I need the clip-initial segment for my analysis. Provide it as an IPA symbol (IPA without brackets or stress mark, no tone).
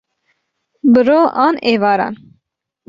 b